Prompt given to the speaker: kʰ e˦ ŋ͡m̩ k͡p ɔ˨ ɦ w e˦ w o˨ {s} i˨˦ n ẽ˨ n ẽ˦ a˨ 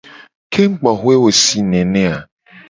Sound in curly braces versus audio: correct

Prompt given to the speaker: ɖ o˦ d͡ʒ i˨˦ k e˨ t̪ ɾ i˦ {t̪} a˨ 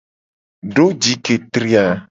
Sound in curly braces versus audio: incorrect: none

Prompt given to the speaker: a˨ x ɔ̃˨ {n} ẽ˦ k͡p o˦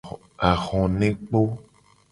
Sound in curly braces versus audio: correct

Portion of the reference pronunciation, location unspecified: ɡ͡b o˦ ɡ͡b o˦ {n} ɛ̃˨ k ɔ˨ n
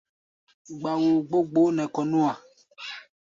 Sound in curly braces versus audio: correct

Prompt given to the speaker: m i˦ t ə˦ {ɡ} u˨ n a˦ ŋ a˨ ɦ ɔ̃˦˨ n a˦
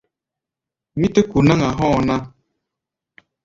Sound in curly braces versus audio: incorrect: k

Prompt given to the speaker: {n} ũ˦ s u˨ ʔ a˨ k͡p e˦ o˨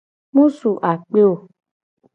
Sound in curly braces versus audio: incorrect: m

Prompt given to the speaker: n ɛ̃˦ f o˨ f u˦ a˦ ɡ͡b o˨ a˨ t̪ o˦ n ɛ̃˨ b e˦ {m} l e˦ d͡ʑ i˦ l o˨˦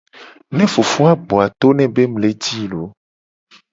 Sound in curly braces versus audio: correct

